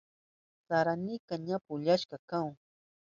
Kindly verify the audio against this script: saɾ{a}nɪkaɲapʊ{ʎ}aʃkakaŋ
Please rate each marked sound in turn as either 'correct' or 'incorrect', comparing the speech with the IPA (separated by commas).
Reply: correct, correct